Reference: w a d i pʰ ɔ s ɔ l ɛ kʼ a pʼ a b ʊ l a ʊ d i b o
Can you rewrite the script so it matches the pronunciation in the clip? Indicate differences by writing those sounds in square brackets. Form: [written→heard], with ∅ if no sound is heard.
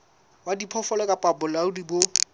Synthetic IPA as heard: w a d i pʰ ɔ [s→f] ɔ l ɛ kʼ a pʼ a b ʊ l a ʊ d i b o